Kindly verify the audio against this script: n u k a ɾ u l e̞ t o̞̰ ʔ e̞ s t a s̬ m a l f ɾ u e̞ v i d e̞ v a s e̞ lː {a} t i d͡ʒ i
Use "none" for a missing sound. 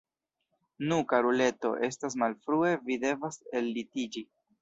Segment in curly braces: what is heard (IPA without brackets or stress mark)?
i